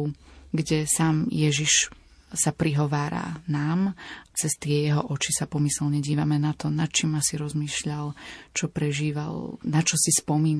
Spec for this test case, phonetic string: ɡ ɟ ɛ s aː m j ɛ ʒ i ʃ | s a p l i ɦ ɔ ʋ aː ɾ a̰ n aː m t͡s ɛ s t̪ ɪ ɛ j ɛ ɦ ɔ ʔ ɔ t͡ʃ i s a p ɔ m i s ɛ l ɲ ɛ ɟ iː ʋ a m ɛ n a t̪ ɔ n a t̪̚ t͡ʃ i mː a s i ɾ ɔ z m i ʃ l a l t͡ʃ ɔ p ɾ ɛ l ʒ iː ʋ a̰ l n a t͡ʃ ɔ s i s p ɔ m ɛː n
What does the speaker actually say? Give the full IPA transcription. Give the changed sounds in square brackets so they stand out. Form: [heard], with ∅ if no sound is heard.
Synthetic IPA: ɡ ɟ ɛ s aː m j ɛ ʒ i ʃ | s a p [ɾ] i ɦ ɔ ʋ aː ɾ a̰ n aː m t͡s ɛ s t̪ ɪ ɛ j ɛ ɦ ɔ ʔ ɔ t͡ʃ i s a p ɔ m i s ɛ l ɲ ɛ ɟ iː ʋ a m ɛ n a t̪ ɔ n a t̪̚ t͡ʃ i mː a s i ɾ ɔ z m [iː] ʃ [ʎ] a l t͡ʃ ɔ p ɾ ɛ [∅] ʒ iː ʋ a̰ l n a t͡ʃ ɔ s i s p ɔ m [iː] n